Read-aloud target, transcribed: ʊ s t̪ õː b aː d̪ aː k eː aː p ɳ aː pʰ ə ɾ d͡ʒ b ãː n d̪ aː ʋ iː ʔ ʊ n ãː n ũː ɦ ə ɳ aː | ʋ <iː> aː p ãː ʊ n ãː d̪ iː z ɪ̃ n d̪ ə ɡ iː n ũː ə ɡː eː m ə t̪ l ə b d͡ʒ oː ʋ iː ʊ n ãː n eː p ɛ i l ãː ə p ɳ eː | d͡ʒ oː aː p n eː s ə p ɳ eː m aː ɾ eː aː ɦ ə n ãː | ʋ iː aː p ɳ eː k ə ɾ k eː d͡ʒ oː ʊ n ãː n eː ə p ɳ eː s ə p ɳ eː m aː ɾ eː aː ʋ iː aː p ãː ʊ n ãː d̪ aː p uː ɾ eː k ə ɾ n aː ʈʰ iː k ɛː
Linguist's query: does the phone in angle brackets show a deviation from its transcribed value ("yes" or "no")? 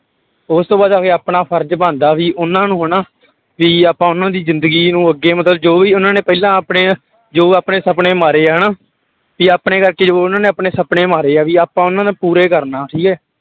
no